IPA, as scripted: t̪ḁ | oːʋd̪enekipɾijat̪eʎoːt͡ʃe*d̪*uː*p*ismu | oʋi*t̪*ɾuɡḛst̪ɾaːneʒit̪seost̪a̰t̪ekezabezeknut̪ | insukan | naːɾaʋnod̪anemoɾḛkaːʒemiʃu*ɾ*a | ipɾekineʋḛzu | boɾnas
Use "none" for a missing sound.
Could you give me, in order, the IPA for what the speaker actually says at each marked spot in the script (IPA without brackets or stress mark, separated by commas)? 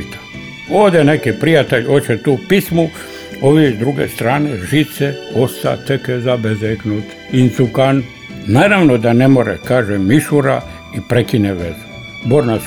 t̪, p, d̪, ɾ